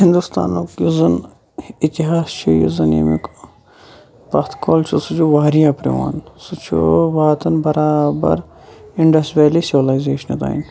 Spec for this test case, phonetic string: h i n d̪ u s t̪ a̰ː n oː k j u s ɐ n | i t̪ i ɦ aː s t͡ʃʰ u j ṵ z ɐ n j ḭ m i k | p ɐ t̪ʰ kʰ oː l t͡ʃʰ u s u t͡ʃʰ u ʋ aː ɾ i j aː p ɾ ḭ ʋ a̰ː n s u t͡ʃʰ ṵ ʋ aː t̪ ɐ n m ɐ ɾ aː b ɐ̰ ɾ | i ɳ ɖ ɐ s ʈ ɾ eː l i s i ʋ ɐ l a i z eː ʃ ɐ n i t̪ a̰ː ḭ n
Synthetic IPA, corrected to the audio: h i n d̪ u s t̪ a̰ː n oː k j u z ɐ n | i t̪ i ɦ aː s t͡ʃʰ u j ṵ z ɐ n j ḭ m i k | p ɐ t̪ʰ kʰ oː l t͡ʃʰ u s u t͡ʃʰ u ʋ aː ɾ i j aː p ɾ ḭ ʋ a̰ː n s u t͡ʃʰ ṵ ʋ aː t̪ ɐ n b ɐ ɾ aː b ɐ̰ ɾ | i ɳ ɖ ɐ s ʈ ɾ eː l i s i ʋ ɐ l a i z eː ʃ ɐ n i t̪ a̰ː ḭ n